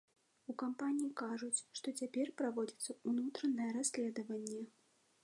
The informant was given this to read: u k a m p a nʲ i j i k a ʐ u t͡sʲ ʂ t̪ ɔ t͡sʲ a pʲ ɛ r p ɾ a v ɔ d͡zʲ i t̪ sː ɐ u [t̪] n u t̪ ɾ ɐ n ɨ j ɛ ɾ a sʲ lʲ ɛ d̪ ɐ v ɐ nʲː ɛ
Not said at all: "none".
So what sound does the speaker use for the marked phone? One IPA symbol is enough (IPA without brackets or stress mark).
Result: none